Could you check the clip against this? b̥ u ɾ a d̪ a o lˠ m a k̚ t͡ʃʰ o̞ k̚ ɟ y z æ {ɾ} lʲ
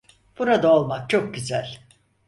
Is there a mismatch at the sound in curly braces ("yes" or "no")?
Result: yes